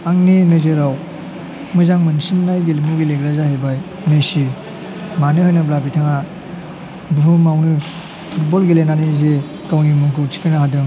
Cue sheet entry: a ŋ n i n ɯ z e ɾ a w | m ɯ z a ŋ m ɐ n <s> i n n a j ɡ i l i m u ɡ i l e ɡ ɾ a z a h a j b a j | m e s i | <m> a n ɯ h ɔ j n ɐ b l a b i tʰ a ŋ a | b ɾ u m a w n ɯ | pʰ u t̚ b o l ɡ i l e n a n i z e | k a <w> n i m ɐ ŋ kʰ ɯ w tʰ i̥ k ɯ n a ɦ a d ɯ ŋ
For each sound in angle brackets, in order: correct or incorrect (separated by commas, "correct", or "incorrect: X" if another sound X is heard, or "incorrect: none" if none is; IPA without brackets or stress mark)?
correct, correct, correct